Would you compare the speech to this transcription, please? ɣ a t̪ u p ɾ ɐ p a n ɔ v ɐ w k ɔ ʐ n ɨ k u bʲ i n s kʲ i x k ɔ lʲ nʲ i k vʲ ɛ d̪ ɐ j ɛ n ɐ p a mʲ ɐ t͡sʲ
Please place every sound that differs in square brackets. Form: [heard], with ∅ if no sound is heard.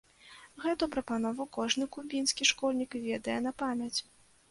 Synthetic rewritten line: ɣ [ɛ] t̪ u p ɾ ɐ p a n ɔ v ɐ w k ɔ ʐ n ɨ k u bʲ i n s kʲ i [ʂ] k ɔ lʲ nʲ i k vʲ ɛ d̪ ɐ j ɛ n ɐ p a mʲ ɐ t͡sʲ